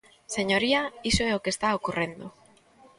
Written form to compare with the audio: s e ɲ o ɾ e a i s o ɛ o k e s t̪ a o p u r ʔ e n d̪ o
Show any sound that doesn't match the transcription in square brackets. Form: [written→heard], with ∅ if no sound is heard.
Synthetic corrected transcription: s e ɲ o ɾ [e→i] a i s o ɛ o k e s t̪ a o [p→k] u r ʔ e n d̪ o